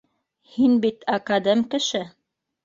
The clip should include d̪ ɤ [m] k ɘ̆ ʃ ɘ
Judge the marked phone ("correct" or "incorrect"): correct